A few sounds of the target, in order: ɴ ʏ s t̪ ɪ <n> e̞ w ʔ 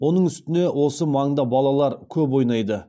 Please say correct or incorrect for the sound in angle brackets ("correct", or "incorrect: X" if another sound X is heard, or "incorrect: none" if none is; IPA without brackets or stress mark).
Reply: correct